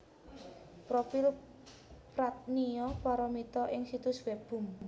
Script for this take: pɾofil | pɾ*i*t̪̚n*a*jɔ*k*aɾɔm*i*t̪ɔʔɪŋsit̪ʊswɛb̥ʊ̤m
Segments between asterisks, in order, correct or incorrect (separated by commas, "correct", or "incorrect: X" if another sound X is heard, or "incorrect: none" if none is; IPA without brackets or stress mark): incorrect: a, incorrect: i, incorrect: p, correct